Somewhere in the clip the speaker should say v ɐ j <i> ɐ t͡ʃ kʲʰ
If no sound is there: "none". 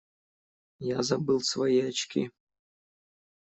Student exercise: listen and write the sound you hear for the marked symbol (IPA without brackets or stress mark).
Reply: i